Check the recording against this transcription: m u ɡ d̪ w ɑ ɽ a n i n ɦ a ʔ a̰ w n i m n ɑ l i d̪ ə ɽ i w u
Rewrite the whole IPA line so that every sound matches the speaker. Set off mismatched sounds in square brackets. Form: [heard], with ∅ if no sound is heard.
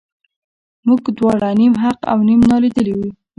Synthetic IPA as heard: m u ɡ d̪ w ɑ ɽ a n i [m] ɦ a [q] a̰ w n i m n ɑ l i d̪ ə [l] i w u